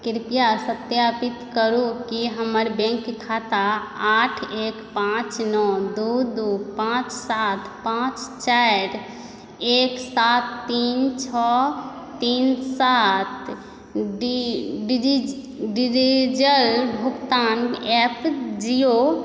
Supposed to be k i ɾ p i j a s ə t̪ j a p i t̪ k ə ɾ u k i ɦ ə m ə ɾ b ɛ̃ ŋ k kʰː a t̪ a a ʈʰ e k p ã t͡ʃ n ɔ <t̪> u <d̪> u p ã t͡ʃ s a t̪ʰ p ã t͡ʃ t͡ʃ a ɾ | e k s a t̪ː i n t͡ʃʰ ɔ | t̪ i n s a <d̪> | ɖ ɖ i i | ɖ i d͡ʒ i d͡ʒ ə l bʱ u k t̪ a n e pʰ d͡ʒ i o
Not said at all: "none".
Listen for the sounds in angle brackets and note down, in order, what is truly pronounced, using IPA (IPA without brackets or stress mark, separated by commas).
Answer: d̪, d̪, t̪